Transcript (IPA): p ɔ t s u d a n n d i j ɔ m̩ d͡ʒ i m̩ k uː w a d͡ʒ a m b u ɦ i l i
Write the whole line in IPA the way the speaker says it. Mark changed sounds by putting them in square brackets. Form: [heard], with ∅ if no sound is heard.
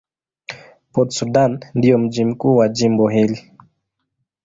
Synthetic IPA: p ɔ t s u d a n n d i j ɔ m̩ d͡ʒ i m̩ k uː w a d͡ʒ [i] m b [ɔ] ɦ i l i